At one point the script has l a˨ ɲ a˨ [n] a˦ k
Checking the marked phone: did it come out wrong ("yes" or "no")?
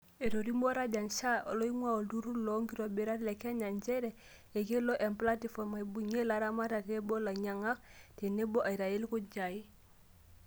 yes